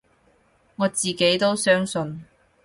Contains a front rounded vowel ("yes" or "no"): yes